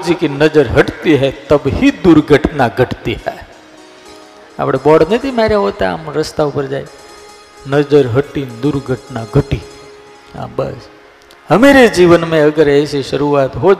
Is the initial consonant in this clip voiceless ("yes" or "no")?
no